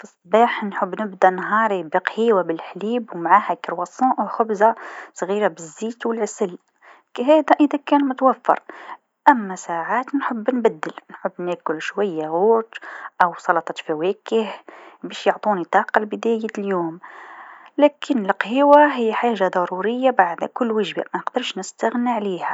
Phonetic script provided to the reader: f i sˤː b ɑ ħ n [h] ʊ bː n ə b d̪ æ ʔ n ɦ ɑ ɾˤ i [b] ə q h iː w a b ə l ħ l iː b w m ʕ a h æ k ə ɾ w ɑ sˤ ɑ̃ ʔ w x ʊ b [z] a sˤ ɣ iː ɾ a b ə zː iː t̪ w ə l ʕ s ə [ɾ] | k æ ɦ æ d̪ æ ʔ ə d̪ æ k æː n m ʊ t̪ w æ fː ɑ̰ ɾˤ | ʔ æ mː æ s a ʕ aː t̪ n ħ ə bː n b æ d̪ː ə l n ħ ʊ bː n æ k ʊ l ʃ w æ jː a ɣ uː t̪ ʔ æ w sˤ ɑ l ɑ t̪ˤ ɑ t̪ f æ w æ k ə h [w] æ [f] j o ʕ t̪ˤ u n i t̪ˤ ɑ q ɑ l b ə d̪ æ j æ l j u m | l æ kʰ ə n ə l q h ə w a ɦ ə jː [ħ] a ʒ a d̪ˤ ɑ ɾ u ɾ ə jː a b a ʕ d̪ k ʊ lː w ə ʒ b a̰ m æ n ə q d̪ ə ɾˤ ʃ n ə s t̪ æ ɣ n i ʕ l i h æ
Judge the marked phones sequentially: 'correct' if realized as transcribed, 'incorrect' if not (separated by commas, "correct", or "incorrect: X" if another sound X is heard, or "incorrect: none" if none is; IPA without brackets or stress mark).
incorrect: ħ, correct, correct, incorrect: l, incorrect: b, incorrect: ʃ, correct